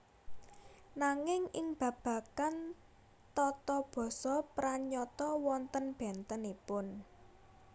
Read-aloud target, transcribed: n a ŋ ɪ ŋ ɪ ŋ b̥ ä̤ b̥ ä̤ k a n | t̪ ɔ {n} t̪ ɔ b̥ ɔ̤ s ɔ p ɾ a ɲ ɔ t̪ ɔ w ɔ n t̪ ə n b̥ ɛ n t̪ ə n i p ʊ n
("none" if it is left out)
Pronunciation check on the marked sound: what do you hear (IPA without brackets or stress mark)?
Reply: none